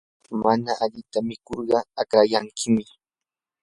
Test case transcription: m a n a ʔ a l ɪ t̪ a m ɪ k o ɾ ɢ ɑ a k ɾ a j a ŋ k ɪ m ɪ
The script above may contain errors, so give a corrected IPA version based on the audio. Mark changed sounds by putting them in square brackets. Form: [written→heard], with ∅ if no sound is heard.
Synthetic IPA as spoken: m a n a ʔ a [l→ʎ] ɪ t̪ a m ɪ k o ɾ ɢ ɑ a k ɾ a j a ŋ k ɪ m ɪ